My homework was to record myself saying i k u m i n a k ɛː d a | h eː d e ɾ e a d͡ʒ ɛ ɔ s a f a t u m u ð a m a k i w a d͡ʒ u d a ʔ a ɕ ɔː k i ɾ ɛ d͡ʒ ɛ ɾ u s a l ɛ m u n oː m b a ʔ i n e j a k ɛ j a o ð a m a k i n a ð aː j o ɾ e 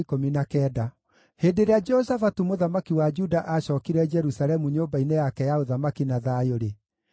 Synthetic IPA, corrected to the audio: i k o m i n a k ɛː d a | h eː d e ɾ e a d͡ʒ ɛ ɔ s a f a t u m o ð a m a k i w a d͡ʒ u d a ʔ a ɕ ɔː k i ɾ ɛ d͡ʒ ɛ ɾ u s a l ɛ m u ɲ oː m b a i n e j a k ɛ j a o ð a m a k i n a ð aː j o ɾ e